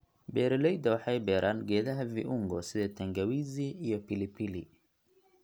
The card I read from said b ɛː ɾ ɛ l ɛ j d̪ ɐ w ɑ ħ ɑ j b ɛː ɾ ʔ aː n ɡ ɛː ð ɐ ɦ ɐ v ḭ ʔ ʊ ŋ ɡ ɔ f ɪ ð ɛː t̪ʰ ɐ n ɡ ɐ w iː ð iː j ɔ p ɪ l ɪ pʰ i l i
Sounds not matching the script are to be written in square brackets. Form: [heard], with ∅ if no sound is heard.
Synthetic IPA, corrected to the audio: b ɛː ɾ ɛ l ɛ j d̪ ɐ w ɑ ħ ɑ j b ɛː ɾ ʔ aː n ɡ ɛː ð ɐ ɦ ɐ v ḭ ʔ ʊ ŋ ɡ ɔ [s] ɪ ð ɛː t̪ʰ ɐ [ŋ] ɡ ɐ w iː [z] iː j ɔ p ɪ l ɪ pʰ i l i